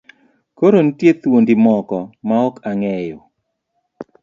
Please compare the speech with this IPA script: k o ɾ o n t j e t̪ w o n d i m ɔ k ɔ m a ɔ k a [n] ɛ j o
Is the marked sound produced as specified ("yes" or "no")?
no